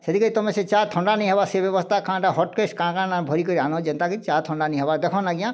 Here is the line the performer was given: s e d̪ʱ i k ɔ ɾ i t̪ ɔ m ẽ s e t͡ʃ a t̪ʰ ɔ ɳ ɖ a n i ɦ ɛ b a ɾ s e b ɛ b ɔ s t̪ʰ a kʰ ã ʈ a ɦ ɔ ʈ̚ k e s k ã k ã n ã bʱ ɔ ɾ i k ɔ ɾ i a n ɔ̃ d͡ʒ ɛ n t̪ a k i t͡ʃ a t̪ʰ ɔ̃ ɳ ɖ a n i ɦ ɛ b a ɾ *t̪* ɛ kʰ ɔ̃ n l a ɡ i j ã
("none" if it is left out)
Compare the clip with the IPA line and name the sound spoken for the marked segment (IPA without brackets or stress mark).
d̪